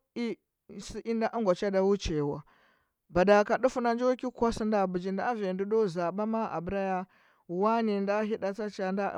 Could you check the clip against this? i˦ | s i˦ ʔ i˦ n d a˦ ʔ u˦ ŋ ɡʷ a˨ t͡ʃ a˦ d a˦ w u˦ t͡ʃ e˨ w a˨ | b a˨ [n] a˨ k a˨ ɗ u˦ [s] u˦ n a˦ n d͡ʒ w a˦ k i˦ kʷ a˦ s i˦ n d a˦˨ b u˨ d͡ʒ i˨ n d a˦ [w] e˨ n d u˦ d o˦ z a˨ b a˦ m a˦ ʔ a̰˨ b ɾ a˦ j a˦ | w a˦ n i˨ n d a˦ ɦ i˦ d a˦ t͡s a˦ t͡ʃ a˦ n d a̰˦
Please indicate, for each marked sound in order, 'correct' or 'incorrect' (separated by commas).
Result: incorrect, incorrect, incorrect